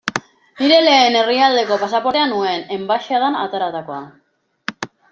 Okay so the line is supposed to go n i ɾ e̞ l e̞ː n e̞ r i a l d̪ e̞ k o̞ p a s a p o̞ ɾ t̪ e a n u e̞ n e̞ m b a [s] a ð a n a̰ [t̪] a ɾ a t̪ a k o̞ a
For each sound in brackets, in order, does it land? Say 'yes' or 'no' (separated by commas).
no, yes